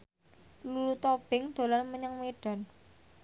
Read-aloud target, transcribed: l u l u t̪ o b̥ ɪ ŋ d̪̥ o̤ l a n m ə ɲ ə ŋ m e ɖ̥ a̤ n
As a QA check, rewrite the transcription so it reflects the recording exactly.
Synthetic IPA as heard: l u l u t̪ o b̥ ɪ ŋ d̪̥ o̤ l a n m ə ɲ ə ŋ m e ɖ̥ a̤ n

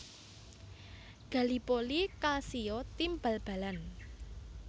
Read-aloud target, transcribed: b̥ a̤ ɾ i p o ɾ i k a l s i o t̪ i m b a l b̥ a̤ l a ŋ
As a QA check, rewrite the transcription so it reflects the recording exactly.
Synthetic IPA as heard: ɡ̥ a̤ l i p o l i k a l s i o t̪ i m b a l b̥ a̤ l a n

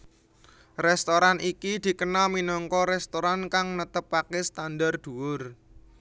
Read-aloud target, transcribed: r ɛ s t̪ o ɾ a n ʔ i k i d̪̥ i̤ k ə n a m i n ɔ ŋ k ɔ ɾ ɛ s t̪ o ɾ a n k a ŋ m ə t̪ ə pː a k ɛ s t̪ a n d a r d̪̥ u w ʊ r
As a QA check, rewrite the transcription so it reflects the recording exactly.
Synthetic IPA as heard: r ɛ s t̪ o ɾ a n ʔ i k i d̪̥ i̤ k ə n a m i n ɔ ŋ k ɔ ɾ ɛ s t̪ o ɾ a n k a ŋ n ə t̪ ə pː a k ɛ s t̪ a n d a r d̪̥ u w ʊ r

